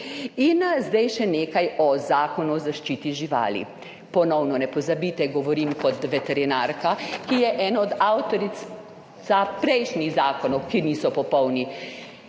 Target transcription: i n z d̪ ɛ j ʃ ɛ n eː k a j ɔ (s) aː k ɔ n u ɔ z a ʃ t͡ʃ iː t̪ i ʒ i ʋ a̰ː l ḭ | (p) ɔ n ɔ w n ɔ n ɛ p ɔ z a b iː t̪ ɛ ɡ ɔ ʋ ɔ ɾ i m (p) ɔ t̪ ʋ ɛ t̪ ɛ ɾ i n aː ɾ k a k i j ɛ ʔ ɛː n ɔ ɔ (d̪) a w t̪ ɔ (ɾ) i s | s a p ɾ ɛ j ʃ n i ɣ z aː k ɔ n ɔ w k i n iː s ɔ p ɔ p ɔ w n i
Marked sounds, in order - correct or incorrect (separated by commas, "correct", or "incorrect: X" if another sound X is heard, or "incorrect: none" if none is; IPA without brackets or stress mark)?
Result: incorrect: z, correct, incorrect: k, correct, correct